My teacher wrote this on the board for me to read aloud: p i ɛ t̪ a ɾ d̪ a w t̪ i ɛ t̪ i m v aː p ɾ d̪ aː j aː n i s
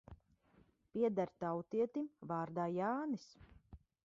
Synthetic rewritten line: p i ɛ d̪ a ɾ t̪ a w t̪ i ɛ t̪ i m v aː ɾ d̪ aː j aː n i s